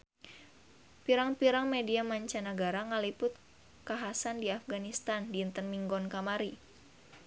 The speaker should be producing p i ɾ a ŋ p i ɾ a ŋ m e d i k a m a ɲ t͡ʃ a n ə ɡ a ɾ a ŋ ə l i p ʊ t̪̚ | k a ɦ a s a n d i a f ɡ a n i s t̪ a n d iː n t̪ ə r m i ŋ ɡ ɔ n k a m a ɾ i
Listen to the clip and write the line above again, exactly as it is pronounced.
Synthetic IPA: p i ɾ a ŋ p i ɾ a ŋ m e d i a m a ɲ t͡ʃ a n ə ɡ a ɾ a ŋ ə l i p ʊ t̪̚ | k a ɦ a s a n d i a f ɡ a n i s t̪ a n d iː n t̪ ə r m i ŋ ɡ ɔ n k a m a ɾ i